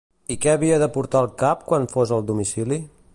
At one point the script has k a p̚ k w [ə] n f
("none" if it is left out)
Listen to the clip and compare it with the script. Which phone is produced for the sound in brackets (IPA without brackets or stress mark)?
a